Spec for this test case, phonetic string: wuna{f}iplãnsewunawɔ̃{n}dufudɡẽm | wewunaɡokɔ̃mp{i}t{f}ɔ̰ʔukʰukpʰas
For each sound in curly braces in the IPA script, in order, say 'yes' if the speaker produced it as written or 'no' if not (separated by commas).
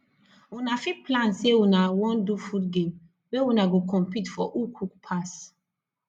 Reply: yes, yes, yes, yes